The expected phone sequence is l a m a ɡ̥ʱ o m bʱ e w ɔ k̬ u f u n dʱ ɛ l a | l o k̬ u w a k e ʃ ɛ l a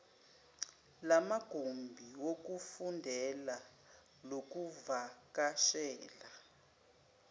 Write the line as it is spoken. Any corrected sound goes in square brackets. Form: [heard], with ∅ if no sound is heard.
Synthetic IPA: l a m a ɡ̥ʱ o m bʱ [i] w [o] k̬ u f u n dʱ ɛ l a | l o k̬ u [v] a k [a] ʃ [ɛː] l a

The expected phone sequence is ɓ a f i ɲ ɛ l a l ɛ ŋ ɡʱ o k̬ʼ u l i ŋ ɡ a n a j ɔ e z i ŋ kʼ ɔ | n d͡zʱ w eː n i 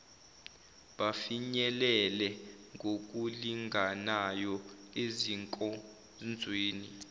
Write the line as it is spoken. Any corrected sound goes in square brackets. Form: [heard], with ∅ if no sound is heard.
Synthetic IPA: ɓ a f i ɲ ɛ l [ɛ] l ɛ ŋ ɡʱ o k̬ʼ u l i ŋ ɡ a n a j ɔ e z i ŋ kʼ ɔ | n d͡zʱ w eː n i

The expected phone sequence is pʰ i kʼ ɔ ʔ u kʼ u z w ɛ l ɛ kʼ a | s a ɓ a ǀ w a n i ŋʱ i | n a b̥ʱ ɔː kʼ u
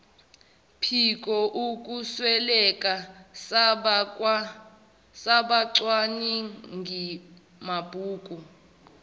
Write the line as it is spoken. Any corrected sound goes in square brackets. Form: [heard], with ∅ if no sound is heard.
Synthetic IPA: pʰ i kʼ ɔ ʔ u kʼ u [s] w ɛ l ɛ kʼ a | s a ɓ a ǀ w a n i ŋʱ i | [m] a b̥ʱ [uː] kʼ u

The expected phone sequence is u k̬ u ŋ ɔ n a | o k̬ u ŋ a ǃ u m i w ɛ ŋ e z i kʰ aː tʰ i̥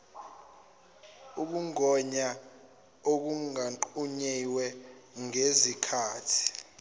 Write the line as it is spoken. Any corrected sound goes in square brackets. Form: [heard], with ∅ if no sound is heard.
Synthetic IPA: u k̬ u ŋ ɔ [ɲ] a | o k̬ u ŋ a ǃ u [ɲ] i w ɛ ŋ e z i kʰ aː tʰ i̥

